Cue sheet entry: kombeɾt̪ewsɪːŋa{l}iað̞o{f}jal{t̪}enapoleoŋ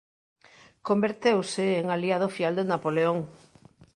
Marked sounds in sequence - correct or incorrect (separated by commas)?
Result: correct, correct, incorrect